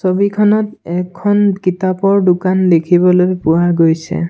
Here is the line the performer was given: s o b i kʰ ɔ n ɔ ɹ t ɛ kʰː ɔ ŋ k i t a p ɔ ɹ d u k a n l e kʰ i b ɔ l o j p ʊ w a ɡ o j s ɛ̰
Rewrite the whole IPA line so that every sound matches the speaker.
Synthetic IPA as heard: s o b i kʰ ɔ n ɔ t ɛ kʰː ɔ n k i t a p ɔ ɹ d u k a n l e kʰ i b ɔ l o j p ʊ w a ɡ o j s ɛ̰